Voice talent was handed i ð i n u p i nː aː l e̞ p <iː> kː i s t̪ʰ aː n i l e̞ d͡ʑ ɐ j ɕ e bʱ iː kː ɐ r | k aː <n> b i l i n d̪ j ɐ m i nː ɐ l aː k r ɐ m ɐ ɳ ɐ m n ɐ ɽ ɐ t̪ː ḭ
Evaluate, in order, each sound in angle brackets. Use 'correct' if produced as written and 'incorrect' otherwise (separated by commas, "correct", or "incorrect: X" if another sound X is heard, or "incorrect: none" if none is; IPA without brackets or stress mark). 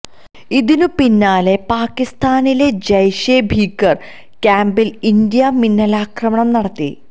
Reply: incorrect: aː, incorrect: m